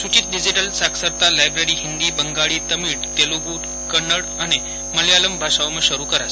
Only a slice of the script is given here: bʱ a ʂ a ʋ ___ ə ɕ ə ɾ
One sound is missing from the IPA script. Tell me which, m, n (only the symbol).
m